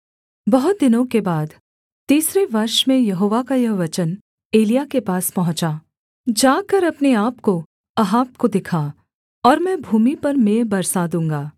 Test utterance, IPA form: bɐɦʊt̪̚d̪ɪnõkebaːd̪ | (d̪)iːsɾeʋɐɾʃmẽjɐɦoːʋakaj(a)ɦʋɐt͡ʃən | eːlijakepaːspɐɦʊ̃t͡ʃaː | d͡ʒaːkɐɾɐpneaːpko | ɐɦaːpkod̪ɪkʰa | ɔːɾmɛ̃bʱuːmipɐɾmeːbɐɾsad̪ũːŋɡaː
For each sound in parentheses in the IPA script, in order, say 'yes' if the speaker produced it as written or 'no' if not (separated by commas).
no, no